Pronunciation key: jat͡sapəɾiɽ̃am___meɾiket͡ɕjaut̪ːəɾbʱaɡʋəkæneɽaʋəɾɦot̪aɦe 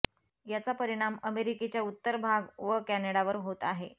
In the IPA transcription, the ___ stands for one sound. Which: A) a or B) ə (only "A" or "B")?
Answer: B